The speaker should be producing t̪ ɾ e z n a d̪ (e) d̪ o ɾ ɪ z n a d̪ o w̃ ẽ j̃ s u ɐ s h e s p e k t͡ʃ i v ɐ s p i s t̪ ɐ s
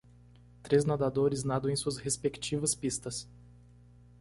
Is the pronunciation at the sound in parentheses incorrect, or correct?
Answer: incorrect